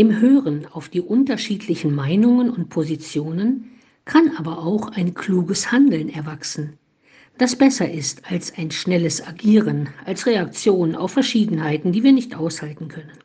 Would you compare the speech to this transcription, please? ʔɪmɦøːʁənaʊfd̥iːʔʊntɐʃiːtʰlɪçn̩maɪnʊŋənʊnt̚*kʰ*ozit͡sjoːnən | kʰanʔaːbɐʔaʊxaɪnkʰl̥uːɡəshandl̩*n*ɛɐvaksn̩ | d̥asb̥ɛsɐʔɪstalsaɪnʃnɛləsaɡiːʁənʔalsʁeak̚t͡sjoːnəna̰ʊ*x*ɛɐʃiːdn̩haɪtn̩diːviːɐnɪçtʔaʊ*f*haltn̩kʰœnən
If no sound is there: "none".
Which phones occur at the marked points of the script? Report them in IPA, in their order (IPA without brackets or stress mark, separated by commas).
pʰ, n, f, s